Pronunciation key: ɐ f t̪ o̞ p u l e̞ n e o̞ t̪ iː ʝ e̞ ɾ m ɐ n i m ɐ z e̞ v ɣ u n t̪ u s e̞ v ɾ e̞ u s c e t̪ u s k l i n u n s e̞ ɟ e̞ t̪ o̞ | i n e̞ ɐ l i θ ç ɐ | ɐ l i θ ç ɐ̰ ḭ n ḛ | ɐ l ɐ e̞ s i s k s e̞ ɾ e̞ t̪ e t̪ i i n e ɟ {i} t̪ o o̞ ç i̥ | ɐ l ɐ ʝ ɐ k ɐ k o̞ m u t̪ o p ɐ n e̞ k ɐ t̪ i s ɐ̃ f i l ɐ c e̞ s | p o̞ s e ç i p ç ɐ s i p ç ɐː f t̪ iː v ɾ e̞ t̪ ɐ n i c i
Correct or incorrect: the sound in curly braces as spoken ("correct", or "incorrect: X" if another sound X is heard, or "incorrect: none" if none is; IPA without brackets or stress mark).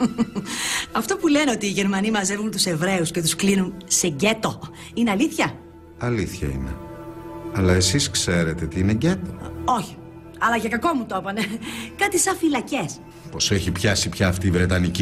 incorrect: e